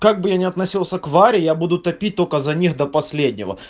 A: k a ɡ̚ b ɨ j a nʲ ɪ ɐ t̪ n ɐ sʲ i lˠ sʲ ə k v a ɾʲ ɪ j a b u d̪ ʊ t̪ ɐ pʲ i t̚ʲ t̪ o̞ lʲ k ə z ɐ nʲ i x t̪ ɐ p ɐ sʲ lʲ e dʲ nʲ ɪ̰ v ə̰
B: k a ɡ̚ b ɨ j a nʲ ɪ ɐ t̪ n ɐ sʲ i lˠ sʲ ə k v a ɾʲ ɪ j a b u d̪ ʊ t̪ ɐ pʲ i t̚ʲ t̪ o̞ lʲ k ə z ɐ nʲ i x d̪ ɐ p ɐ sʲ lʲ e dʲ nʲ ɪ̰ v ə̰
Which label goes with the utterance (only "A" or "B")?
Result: B